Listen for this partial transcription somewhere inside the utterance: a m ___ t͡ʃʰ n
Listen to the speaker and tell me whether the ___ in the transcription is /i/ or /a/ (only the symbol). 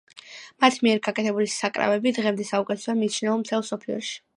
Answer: i